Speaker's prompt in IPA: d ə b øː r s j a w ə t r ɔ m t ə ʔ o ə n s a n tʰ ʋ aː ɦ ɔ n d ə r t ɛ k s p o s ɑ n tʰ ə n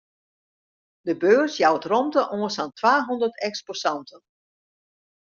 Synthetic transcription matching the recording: d ə b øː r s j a w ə t r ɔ m t ə ʔ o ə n s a n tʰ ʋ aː ɦ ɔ n d ə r t ɛ k s p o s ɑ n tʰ ə n